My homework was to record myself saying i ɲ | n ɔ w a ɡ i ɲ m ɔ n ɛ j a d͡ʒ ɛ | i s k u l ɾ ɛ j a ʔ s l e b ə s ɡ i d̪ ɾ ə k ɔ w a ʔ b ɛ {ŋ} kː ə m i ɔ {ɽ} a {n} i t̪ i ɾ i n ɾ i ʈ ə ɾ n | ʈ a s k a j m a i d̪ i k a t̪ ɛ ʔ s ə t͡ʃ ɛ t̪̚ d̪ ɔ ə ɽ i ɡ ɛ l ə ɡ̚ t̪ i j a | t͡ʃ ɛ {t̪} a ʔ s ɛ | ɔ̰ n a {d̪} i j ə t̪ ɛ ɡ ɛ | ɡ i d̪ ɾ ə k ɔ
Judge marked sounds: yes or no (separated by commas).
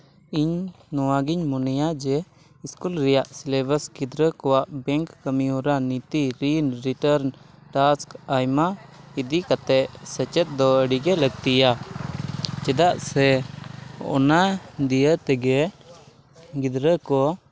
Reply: yes, no, yes, no, yes